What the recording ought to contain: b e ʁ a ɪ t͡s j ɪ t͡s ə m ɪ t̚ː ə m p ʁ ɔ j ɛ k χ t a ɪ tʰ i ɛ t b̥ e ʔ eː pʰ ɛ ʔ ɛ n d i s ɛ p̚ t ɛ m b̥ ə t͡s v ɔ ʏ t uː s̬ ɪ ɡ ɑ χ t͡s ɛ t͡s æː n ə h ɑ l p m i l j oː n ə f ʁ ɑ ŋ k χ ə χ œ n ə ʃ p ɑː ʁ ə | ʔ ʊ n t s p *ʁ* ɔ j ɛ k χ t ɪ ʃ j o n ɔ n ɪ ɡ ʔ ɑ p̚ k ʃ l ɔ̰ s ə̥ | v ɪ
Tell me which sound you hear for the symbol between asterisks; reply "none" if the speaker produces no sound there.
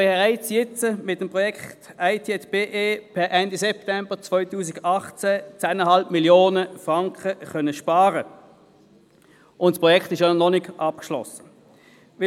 ʁ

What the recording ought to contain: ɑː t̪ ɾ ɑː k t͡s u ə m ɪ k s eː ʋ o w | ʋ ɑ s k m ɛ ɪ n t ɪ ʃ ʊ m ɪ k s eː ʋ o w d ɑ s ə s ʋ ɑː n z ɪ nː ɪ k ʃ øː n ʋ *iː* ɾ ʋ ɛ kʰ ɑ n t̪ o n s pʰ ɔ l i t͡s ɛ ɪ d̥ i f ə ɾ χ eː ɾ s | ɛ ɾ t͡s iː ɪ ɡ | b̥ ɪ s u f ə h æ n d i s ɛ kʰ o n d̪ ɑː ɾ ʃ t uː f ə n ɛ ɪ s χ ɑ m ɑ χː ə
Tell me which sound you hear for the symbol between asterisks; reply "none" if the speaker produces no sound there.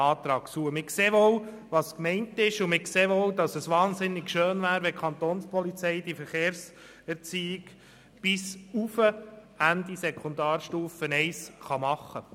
æː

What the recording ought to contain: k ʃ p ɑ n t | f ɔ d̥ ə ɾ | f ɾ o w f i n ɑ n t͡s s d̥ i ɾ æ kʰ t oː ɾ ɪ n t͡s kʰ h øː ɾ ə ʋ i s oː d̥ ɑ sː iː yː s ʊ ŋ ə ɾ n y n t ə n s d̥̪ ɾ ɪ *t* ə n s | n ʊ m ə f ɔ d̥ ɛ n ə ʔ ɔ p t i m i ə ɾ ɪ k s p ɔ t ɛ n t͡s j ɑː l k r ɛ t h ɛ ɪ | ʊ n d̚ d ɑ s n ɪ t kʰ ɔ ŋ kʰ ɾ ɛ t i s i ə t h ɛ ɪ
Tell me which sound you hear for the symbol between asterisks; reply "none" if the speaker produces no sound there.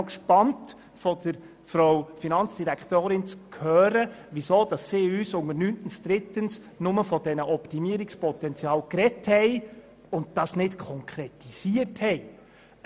t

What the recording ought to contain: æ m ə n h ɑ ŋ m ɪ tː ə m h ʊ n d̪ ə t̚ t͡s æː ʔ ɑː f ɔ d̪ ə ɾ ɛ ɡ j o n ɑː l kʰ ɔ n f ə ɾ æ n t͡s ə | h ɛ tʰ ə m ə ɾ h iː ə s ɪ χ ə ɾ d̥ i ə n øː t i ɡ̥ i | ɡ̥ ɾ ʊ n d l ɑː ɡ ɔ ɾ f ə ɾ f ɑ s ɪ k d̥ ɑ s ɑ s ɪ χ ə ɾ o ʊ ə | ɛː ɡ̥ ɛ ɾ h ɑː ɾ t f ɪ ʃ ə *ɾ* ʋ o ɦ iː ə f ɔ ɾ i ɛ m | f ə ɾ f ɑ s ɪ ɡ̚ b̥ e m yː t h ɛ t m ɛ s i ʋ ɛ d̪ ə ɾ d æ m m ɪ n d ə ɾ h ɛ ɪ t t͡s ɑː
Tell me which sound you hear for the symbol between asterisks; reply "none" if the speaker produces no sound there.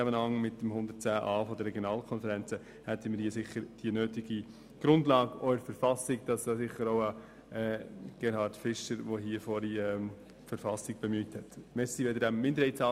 ɾ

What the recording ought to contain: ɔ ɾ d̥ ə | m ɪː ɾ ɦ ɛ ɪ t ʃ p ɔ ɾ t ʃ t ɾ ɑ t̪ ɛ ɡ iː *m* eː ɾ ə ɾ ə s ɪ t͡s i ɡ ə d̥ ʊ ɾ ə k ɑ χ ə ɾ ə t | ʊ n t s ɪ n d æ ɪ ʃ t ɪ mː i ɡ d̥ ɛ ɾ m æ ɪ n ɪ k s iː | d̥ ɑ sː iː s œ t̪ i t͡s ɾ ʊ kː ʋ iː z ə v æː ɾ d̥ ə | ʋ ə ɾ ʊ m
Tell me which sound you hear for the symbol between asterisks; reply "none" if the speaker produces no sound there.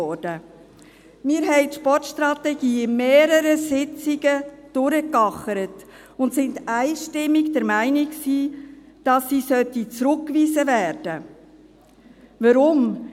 m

